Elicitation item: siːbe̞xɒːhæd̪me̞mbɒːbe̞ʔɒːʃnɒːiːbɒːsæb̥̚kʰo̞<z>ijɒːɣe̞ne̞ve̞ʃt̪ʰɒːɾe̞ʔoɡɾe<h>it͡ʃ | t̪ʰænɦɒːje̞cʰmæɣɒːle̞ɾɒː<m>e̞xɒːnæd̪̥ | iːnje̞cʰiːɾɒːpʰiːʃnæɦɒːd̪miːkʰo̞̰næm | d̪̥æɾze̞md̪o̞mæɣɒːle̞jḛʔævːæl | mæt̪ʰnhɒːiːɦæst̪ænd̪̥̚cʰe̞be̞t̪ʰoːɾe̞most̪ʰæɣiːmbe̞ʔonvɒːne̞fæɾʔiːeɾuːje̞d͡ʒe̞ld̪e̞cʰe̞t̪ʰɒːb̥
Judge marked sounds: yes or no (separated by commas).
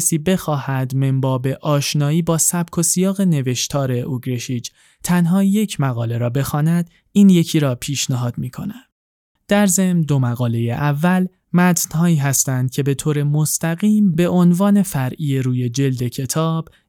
no, no, no